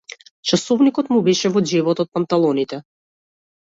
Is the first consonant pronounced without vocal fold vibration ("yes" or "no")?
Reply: yes